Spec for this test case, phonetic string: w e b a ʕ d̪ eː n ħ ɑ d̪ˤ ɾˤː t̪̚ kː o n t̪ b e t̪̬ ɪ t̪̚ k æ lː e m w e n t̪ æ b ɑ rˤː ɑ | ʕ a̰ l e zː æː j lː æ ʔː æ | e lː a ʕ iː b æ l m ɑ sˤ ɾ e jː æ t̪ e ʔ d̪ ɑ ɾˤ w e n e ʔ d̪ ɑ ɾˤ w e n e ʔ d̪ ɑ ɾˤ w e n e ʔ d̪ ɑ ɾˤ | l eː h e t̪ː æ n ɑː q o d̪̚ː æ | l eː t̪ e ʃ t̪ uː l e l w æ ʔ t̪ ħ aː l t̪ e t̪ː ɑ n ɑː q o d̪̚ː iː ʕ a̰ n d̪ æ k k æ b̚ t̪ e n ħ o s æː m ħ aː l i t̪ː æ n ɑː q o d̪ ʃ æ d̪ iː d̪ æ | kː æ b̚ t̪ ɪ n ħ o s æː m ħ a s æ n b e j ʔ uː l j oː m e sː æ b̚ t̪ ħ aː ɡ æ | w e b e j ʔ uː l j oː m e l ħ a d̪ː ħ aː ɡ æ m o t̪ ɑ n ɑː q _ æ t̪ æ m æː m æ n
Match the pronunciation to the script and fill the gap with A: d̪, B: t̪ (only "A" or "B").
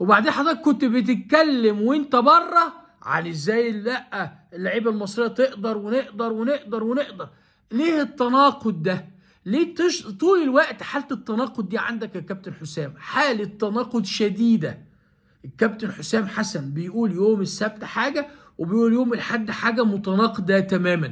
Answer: A